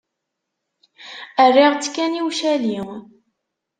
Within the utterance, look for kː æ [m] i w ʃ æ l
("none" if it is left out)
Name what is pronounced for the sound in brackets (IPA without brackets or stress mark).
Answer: n